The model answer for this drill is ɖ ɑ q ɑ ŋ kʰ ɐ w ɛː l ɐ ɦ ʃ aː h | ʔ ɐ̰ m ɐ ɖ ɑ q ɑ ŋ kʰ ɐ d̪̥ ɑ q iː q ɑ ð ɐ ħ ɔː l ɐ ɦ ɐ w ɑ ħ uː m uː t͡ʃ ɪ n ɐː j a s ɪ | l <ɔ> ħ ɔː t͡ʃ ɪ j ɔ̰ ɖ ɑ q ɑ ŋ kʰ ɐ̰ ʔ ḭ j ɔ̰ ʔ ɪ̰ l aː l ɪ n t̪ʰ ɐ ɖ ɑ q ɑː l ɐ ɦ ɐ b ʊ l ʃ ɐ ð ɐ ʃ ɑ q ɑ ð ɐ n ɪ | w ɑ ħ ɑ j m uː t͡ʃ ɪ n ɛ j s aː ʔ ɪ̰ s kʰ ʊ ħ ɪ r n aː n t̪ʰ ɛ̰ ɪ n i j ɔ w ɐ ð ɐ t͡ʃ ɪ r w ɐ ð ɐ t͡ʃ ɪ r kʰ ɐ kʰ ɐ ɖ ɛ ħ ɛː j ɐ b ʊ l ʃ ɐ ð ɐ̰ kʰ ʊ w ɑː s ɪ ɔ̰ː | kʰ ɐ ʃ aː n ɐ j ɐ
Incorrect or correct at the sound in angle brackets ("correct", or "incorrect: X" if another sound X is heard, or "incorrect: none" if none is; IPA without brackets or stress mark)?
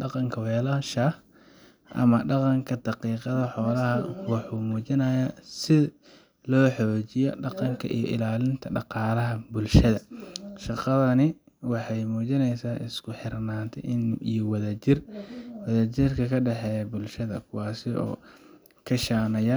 incorrect: ɔː